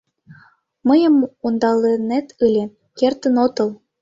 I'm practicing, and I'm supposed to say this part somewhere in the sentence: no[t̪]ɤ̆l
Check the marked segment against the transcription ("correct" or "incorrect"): correct